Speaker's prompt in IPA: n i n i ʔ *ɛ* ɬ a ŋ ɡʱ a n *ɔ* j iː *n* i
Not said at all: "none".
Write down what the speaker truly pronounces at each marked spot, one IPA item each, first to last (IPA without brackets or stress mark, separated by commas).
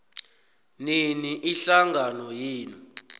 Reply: i, ɔ, n